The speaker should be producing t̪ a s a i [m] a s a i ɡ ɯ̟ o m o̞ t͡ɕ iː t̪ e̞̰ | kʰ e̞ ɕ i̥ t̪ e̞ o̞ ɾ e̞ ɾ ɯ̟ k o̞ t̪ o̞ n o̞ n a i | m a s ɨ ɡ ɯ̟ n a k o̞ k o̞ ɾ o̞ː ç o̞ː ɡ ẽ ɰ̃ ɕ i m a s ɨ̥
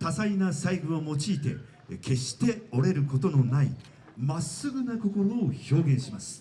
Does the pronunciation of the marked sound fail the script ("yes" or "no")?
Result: yes